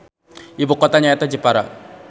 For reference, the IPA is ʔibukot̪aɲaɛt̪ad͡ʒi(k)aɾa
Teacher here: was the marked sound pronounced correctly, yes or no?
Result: no